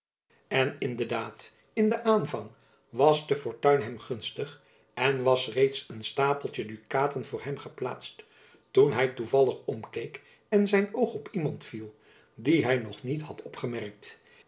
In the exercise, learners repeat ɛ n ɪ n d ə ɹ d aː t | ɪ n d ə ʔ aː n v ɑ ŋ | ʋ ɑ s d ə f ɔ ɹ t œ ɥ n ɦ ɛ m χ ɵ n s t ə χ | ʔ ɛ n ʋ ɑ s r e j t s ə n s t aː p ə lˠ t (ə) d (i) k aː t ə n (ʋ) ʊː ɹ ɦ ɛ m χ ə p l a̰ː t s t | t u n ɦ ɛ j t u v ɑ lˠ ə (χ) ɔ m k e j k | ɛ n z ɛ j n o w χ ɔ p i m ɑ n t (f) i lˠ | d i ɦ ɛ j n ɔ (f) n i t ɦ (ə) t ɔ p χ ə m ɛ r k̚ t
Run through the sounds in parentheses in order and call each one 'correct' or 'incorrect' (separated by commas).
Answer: correct, incorrect, incorrect, correct, correct, incorrect, incorrect